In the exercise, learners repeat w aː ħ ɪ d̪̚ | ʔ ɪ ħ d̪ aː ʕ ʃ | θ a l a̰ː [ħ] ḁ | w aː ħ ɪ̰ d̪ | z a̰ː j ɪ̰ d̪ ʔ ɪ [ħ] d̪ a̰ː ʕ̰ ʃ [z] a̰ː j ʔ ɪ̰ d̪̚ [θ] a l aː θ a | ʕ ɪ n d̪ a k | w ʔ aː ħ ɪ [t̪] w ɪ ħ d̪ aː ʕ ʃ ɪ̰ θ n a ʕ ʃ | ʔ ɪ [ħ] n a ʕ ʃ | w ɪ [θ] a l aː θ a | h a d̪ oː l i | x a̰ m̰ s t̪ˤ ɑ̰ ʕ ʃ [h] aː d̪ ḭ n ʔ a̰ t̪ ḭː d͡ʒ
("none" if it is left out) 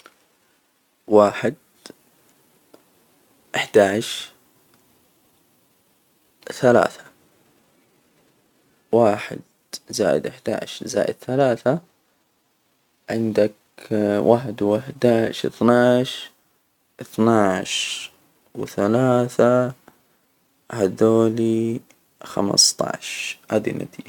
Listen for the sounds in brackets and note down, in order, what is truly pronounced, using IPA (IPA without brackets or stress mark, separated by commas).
θ, ħ, z, θ, d̪, θ, θ, h